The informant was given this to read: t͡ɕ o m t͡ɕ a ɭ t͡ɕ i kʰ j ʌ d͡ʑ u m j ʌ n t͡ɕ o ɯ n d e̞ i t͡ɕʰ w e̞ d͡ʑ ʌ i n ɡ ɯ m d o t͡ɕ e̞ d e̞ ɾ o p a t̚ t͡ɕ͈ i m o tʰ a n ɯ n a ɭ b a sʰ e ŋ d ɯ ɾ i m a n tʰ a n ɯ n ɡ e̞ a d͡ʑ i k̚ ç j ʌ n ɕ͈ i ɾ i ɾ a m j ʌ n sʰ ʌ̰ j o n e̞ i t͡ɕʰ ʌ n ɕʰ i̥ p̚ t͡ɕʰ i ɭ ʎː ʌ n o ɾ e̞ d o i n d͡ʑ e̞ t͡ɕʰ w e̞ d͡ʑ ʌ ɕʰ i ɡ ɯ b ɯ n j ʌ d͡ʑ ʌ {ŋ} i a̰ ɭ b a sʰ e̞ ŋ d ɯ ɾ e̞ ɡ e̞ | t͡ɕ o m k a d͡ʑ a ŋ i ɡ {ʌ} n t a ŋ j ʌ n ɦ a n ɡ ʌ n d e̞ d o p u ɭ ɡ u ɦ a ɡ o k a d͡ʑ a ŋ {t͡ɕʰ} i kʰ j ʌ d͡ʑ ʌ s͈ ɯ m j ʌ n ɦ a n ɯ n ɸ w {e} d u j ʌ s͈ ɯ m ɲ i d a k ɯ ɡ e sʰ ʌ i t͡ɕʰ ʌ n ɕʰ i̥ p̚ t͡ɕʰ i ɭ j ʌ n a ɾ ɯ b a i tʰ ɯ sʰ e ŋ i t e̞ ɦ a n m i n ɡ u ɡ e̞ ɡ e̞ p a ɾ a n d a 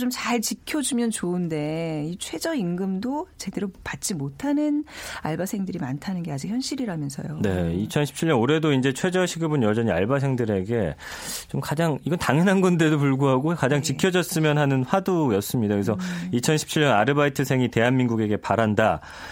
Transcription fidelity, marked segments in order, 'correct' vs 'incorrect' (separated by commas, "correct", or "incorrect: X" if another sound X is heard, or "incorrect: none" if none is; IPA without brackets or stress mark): incorrect: ɲ, correct, incorrect: t͡ɕ, incorrect: a